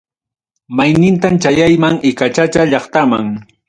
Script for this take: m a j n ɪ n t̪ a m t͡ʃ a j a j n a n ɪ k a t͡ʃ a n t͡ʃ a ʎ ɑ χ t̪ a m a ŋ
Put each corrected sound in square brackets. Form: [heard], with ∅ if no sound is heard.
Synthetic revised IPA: m a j n ɪ n t̪ a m t͡ʃ a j a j [m] a [ŋ] ɪ k a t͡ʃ a [∅] t͡ʃ a ʎ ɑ χ t̪ a m a ŋ

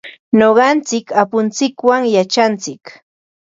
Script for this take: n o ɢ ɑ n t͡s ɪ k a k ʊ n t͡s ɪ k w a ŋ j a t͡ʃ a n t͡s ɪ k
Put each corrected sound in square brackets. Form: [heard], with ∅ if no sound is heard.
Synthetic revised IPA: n o ɢ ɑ n t͡s ɪ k a [p] ʊ n t͡s ɪ k w a ŋ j a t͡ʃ a n t͡s ɪ k

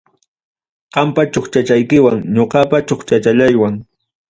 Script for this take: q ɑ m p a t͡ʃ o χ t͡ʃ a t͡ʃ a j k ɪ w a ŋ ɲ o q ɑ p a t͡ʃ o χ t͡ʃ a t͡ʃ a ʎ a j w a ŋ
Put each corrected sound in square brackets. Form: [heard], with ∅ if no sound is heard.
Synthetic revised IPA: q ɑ m p a t͡ʃ o χ t͡ʃ a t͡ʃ a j k ɪ w a ŋ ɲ o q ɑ p a t͡ʃ o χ t͡ʃ a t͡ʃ a ʎ a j w a ŋ

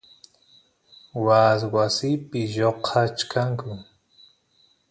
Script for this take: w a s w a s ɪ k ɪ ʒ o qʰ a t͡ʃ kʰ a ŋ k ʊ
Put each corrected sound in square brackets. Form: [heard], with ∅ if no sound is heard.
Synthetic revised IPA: w a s w a s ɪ [p] ɪ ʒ o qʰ a t͡ʃ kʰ a ŋ k ʊ

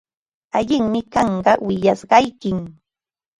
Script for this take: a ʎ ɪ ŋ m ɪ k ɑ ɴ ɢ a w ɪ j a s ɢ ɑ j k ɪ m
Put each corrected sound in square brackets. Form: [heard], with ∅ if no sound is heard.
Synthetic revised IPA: a ʎ ɪ ŋ m ɪ k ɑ ɴ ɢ [ɑ] w ɪ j a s ɢ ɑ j k ɪ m

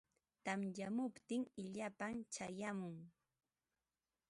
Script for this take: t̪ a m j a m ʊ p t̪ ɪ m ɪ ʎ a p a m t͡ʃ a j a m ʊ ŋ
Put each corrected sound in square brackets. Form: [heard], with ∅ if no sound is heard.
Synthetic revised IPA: t̪ a m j a m ʊ p t̪ ɪ [ŋ] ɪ ʎ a p a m t͡ʃ a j a m ʊ ŋ

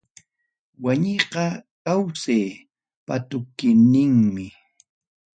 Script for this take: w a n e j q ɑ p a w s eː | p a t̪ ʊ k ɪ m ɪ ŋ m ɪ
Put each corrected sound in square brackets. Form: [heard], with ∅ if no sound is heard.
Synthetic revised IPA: w a [ɲ] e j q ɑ [k] a w s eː | p a t̪ ʊ k ɪ [n] ɪ ŋ m ɪ

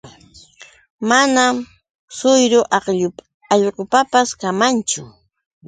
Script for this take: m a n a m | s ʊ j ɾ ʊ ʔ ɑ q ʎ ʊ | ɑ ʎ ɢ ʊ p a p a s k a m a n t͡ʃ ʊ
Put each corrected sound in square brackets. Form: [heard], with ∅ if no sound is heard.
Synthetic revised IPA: m a n a m | s ʊ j ɾ ʊ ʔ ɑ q ʎ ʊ | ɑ ʎ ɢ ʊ p a p a s k a m a n t͡ʃ ʊ

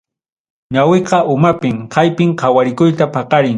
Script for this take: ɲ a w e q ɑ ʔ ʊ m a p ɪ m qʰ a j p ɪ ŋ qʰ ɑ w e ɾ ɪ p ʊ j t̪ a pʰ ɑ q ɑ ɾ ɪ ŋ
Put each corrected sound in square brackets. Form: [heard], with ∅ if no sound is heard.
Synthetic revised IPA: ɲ a w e q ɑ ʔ ʊ m a p ɪ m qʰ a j p ɪ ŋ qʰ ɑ w [a] ɾ ɪ [k] ʊ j t̪ a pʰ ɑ q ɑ ɾ ɪ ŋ

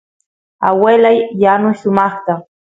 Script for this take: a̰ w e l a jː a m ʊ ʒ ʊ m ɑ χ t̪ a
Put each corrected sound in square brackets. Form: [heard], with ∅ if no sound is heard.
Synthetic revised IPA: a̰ w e l a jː a [n] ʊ [ʃ] ʊ m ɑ χ t̪ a

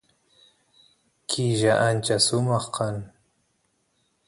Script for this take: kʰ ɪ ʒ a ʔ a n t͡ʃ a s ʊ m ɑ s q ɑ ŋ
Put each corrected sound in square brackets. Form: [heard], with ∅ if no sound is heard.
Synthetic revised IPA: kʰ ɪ ʒ a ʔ a n t͡ʃ a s ʊ m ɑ [χ] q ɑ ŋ

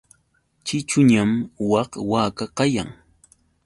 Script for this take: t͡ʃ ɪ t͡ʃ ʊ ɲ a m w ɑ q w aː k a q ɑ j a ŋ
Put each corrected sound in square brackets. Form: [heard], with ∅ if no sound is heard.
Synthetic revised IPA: t͡ʃ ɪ t͡ʃ ʊ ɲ a m w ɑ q w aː k a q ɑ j a ŋ

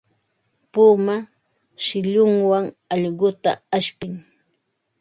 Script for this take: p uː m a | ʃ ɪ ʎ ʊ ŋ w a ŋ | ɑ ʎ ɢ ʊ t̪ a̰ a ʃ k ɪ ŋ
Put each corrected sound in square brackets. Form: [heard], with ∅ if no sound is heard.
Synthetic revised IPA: p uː m a | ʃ ɪ ʎ ʊ ŋ w a ŋ | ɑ ʎ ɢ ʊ t̪ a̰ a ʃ [p] ɪ ŋ

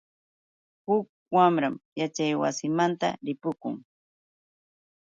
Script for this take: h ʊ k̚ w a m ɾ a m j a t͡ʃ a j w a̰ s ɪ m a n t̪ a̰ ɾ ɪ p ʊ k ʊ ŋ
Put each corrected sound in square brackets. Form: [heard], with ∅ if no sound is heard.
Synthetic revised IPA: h ʊ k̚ w a m ɾ a m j a t͡ʃ a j w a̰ s ɪ m a n t̪ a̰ ɾ ɪ p ʊ k ʊ ŋ

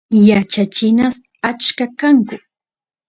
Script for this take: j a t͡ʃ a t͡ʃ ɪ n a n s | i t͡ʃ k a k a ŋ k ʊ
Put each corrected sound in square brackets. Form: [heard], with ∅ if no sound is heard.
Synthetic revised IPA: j a t͡ʃ a t͡ʃ ɪ n a [∅] s | [a] t͡ʃ k a k a ŋ k ʊ

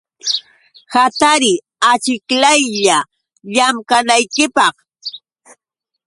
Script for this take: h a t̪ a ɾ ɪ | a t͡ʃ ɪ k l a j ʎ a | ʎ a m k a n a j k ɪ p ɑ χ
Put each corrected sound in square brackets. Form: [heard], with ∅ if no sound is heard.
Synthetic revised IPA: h a t̪ a ɾ ɪ | a t͡ʃ ɪ k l a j ʎ a | ʎ a m k a n a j k ɪ p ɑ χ

